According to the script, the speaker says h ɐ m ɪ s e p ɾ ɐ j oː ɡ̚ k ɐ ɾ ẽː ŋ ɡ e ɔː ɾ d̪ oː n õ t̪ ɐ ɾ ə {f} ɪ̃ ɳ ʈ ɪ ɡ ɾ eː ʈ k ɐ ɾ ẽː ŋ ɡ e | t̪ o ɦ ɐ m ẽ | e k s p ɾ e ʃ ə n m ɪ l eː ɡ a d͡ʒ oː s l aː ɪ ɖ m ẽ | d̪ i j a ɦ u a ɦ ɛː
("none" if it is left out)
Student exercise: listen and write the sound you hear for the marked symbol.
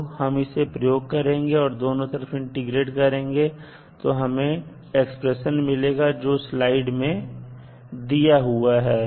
f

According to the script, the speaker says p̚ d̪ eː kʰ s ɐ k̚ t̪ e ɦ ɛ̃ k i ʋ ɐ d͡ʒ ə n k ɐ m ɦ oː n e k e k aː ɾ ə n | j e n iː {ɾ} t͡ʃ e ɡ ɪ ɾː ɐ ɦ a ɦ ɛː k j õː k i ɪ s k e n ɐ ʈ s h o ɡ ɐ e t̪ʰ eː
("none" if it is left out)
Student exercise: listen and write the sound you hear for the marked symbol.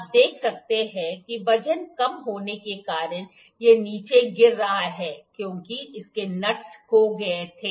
none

